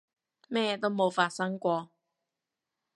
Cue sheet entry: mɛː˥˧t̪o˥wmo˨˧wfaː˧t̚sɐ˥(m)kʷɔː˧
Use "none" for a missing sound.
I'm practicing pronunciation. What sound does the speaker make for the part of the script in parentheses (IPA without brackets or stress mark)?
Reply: ŋ